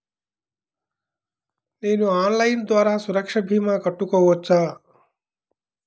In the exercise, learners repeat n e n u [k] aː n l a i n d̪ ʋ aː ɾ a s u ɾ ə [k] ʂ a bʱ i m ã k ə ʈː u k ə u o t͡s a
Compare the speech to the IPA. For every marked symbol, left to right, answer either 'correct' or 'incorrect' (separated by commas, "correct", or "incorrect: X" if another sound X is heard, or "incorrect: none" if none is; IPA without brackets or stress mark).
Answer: incorrect: none, correct